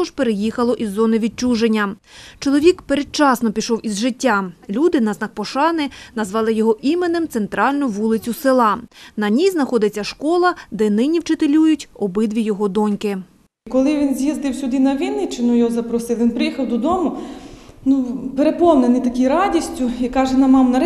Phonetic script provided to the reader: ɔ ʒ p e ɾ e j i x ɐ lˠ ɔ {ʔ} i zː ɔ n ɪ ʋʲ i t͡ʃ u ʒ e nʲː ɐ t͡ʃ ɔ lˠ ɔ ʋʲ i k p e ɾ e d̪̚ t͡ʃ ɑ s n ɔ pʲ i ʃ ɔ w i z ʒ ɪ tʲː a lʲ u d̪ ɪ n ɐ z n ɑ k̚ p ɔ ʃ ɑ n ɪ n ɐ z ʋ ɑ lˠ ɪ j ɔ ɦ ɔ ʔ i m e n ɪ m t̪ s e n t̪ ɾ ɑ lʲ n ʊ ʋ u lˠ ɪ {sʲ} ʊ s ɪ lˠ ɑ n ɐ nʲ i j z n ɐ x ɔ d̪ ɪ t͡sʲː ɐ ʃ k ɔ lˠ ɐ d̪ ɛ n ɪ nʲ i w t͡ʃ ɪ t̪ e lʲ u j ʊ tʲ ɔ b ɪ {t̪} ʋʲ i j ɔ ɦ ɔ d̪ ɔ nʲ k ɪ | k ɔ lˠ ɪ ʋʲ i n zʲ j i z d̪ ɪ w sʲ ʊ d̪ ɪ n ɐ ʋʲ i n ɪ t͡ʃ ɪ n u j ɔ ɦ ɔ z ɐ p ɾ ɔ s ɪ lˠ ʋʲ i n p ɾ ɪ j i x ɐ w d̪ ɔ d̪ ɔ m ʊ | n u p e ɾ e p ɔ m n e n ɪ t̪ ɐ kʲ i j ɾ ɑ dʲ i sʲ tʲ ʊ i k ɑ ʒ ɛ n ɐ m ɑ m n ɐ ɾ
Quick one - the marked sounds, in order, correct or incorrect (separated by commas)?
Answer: correct, incorrect, incorrect